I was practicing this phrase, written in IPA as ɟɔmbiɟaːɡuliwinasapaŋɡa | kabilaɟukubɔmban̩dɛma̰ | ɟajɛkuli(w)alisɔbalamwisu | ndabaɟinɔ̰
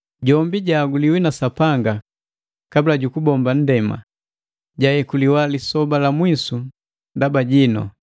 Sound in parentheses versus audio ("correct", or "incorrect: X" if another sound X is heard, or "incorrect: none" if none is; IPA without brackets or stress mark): correct